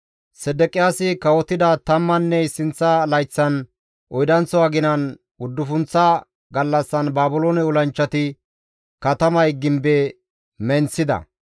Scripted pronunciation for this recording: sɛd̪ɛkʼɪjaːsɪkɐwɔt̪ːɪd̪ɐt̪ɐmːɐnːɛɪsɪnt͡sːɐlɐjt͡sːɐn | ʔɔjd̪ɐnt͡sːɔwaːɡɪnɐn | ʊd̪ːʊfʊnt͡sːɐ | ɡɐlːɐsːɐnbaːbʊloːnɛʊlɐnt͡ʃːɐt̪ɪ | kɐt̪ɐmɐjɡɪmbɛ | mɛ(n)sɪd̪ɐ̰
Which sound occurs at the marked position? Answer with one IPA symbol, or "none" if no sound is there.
n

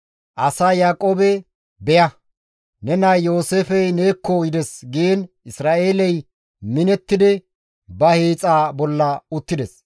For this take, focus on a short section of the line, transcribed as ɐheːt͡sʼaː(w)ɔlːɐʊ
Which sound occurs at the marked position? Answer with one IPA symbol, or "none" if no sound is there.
b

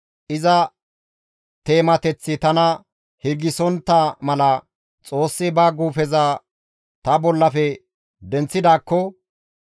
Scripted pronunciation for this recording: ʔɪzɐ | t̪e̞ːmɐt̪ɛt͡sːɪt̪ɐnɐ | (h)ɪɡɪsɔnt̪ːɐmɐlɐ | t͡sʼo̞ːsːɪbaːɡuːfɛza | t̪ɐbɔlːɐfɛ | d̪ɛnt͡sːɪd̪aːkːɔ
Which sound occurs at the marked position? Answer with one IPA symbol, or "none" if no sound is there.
h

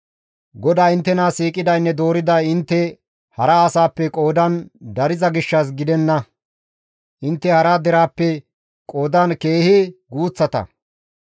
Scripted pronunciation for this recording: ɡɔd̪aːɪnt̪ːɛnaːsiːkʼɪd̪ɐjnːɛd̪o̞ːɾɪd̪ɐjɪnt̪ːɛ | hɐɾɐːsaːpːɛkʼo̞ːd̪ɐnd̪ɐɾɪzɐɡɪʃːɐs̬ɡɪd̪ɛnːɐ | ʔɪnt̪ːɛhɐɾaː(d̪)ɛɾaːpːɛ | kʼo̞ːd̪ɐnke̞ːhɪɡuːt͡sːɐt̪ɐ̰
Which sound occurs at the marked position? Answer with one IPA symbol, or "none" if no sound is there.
d̪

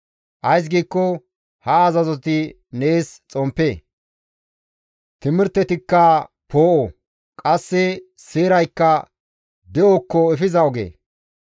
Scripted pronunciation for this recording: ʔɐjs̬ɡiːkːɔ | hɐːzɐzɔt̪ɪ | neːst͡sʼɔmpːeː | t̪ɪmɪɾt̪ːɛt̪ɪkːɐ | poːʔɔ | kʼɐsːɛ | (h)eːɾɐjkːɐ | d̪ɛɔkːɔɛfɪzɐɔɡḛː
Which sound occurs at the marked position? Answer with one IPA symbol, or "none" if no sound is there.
s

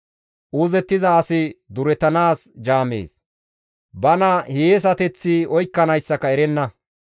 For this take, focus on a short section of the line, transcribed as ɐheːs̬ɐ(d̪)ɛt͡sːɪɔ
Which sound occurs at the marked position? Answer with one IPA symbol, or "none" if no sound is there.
t̪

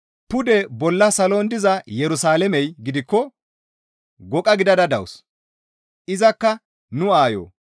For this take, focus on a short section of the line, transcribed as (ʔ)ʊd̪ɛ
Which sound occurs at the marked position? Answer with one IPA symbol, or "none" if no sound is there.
p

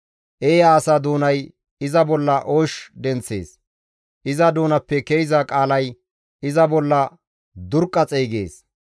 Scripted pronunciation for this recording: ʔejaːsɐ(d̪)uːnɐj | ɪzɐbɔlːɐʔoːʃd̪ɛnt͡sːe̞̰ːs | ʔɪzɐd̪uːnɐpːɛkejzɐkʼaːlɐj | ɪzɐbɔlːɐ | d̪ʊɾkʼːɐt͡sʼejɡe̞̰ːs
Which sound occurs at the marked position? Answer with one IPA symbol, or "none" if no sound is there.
d̪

